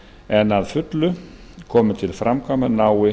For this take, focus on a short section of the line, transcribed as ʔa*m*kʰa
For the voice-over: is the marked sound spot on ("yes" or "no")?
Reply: yes